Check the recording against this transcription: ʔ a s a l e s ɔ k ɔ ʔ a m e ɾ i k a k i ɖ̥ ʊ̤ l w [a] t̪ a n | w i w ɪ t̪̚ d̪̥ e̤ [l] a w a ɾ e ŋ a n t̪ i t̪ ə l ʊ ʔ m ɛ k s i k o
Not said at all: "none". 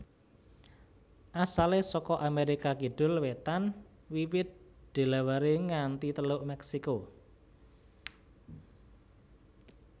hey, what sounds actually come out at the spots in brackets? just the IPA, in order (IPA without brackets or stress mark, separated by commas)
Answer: e, l